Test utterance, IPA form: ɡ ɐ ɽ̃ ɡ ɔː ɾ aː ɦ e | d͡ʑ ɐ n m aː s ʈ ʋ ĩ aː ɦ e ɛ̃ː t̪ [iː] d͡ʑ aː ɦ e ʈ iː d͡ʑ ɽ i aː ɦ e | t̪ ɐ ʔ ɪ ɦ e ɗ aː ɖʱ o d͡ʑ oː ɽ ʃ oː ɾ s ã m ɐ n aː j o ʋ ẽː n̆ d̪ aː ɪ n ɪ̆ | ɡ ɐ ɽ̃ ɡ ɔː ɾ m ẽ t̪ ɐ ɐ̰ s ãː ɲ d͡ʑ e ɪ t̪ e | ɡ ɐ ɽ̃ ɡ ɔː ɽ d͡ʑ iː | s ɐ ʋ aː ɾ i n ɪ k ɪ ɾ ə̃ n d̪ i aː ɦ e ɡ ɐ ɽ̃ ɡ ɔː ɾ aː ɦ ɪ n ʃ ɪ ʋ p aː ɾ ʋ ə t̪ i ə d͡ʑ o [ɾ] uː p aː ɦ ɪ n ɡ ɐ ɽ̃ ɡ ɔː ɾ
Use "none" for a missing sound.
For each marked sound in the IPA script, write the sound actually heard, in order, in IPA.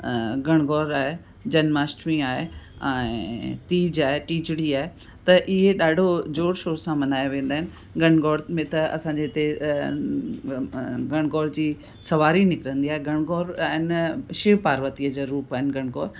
iː, ɾ

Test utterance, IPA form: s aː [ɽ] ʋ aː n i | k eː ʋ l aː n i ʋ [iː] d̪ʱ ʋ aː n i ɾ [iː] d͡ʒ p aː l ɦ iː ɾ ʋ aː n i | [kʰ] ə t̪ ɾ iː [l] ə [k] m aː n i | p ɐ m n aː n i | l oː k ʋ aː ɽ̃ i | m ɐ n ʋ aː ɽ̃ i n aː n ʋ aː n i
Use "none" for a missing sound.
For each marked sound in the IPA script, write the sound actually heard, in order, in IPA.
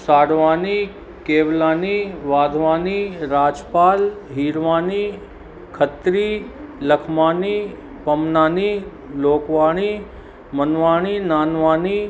ɽ, aː, aː, kʰ, l, kʰ

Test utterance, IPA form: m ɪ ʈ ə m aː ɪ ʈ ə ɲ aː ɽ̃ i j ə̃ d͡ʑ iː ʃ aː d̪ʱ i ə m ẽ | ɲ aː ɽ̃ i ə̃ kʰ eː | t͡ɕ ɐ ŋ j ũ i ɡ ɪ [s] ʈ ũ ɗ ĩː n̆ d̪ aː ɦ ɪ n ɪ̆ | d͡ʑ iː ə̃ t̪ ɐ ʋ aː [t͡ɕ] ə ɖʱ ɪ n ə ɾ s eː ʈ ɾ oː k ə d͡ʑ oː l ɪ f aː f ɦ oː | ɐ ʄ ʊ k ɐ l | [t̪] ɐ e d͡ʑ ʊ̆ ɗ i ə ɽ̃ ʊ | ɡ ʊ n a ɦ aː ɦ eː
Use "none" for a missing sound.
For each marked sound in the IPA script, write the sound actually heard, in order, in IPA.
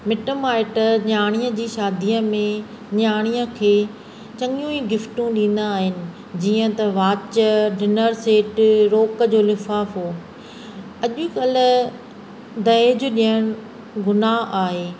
f, t͡ɕ, d̪

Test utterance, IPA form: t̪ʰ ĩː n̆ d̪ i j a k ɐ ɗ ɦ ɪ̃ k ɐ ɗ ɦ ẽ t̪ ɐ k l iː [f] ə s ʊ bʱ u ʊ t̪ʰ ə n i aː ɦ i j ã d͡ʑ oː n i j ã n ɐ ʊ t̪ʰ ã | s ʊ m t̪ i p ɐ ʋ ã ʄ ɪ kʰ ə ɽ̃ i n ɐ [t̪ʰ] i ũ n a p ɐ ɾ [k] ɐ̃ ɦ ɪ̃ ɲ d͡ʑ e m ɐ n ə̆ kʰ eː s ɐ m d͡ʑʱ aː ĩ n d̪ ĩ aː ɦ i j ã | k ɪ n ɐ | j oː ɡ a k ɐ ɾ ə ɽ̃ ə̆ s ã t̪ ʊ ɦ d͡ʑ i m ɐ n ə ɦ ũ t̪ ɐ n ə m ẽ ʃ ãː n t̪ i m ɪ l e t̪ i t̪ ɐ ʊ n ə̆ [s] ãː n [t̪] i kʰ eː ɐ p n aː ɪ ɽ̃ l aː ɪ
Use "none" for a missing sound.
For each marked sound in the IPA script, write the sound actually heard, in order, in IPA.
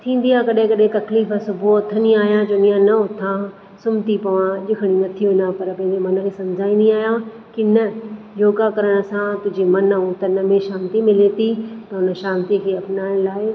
f, t̪ʰ, p, ʃ, t̪

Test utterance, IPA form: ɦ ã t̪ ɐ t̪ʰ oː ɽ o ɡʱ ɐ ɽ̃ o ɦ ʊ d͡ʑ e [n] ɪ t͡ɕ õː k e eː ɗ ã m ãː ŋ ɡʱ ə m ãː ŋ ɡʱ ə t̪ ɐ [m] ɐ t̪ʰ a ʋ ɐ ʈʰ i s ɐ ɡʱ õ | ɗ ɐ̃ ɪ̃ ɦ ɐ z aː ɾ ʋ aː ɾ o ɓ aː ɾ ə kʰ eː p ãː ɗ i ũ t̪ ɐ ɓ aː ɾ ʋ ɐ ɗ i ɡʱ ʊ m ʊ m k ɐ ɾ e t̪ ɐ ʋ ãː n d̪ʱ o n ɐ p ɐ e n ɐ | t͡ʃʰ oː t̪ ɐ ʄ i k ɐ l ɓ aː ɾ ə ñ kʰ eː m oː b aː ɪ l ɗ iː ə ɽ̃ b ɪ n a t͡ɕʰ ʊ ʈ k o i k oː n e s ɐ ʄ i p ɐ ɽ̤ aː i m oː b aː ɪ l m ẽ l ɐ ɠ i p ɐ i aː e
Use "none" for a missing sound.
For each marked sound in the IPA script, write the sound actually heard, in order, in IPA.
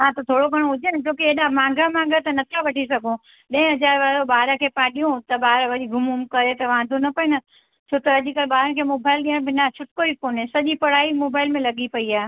n, n

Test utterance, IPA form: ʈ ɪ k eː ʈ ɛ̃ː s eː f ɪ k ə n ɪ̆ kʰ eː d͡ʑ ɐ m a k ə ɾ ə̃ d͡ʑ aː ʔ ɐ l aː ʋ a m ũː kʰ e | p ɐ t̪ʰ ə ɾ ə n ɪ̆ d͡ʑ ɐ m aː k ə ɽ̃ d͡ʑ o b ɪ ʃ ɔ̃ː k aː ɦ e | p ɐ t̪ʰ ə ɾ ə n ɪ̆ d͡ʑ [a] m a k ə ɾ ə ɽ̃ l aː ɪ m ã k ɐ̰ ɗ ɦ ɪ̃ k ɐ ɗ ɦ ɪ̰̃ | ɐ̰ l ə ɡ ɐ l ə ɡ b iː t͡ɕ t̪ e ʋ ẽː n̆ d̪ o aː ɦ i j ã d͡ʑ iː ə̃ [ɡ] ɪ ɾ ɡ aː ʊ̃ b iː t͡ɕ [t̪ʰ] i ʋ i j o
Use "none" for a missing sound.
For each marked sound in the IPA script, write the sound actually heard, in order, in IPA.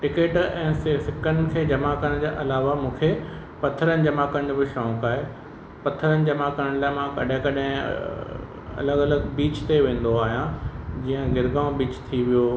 ɐ, ɡ, t̪ʰ

